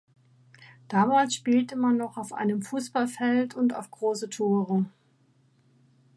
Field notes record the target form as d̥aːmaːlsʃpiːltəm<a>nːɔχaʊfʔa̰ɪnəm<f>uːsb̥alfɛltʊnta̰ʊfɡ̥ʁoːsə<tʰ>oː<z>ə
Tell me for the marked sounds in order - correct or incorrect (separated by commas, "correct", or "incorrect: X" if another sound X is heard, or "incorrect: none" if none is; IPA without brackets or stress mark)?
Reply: correct, correct, correct, incorrect: ʁ